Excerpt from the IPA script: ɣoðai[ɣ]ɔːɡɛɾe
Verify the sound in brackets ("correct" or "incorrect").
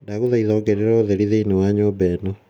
incorrect